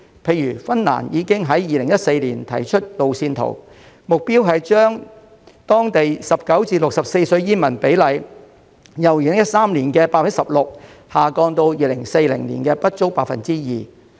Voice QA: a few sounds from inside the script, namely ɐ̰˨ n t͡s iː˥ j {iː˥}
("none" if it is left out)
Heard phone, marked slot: iː˨˩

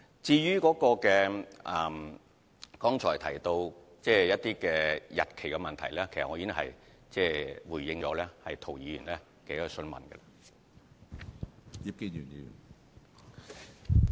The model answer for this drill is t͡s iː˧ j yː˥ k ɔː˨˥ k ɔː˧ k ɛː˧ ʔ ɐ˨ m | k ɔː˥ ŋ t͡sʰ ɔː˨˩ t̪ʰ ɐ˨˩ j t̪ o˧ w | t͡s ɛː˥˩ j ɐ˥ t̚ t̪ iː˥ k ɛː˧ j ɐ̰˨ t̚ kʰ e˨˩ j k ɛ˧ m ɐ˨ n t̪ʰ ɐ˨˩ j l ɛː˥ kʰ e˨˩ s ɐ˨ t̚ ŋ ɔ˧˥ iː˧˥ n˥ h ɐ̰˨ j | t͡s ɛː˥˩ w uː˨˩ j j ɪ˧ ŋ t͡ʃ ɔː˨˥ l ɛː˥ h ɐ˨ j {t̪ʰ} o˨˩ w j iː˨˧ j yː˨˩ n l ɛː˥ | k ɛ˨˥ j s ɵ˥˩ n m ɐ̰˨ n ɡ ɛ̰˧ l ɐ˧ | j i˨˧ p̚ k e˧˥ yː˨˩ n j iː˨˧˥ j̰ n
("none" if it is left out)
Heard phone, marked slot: t̪ʰ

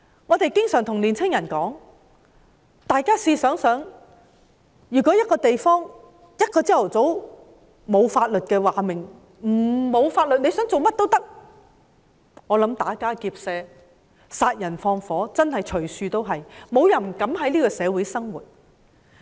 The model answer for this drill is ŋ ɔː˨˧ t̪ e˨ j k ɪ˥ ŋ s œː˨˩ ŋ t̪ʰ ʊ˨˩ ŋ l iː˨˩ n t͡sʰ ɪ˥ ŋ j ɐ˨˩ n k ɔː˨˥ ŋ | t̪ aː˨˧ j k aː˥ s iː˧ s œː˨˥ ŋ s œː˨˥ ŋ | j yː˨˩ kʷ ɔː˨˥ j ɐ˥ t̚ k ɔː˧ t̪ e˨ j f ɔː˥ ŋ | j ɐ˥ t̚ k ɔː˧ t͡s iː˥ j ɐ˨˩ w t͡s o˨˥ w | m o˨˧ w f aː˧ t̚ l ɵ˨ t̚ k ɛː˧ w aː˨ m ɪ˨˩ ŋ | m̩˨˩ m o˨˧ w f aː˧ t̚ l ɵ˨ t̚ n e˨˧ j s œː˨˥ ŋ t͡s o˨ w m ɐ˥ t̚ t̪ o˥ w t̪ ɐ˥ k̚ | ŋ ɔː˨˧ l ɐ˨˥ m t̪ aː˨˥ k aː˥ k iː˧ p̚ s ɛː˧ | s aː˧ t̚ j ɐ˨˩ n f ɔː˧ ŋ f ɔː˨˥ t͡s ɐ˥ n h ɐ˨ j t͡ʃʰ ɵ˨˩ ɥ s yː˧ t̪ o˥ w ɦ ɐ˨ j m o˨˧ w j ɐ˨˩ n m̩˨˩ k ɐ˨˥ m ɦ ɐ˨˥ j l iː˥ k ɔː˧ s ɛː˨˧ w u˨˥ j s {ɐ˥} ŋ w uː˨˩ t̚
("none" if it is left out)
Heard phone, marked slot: ɐ˥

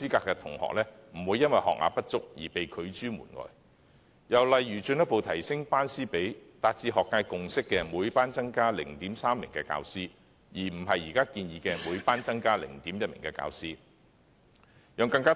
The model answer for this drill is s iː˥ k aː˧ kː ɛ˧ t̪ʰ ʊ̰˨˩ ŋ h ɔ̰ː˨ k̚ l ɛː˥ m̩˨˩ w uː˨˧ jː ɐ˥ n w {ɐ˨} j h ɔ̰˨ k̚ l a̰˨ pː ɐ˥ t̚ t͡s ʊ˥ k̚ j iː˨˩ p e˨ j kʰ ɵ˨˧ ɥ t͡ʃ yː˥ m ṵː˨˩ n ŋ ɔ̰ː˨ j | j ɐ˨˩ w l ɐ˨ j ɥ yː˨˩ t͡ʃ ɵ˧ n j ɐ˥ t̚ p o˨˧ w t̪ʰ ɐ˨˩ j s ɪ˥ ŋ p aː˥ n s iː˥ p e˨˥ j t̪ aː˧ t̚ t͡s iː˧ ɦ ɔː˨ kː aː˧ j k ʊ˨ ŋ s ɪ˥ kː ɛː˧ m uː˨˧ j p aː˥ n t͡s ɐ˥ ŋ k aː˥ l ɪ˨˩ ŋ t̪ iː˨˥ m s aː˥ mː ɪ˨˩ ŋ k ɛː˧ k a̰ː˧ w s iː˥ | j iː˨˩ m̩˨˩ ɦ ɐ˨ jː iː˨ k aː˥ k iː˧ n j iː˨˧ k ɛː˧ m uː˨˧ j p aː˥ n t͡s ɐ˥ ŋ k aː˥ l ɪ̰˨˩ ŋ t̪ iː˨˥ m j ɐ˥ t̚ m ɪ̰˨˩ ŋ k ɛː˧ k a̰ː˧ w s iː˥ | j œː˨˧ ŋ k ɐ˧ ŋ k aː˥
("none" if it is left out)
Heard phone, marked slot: ɐ˨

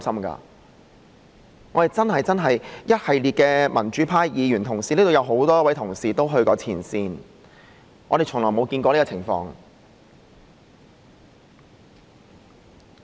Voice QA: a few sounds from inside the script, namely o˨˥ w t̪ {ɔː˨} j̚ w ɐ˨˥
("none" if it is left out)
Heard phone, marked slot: ɔː˥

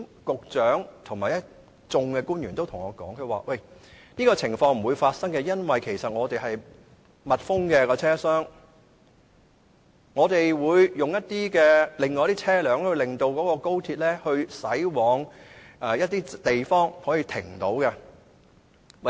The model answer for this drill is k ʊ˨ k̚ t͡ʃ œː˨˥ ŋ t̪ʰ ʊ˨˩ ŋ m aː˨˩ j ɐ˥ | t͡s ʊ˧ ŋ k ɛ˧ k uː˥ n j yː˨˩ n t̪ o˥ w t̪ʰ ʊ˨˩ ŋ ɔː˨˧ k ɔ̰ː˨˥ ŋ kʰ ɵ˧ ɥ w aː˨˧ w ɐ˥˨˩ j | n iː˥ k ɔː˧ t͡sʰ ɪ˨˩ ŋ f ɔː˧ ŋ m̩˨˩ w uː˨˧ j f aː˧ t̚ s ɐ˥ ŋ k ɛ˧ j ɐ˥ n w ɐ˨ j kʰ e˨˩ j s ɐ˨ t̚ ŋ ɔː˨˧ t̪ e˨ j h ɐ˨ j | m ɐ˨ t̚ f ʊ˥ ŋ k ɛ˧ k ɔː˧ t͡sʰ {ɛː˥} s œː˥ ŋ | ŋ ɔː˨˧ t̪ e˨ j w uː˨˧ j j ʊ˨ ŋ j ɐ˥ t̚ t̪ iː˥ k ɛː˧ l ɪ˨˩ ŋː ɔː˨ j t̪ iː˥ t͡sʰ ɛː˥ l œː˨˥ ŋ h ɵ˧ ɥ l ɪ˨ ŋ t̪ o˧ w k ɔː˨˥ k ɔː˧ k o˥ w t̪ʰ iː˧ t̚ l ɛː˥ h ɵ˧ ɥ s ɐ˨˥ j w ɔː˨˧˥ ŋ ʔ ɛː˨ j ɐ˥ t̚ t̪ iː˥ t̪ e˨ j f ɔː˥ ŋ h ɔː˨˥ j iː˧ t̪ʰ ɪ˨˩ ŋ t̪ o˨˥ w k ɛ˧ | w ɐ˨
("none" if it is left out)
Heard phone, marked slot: ɛː˥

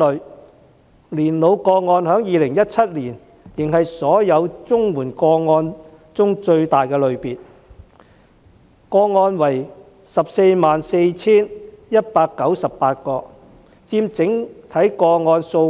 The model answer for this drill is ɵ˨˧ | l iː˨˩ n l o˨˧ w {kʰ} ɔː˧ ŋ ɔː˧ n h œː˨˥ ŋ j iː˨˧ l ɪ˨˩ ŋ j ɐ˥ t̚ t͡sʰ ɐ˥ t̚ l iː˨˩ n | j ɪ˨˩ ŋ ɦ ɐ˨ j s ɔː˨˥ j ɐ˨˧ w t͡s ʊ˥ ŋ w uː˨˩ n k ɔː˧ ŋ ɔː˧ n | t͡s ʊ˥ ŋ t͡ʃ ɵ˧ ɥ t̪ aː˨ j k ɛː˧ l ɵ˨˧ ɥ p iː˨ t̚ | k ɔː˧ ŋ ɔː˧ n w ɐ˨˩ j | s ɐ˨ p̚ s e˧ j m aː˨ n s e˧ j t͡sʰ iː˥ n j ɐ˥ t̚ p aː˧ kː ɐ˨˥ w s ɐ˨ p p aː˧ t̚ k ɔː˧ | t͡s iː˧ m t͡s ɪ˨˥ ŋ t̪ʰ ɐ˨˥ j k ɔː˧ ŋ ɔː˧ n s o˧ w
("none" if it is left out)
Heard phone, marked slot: k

